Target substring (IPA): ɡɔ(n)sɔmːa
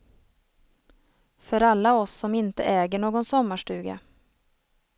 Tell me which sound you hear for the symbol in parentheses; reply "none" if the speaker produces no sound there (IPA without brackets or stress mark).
n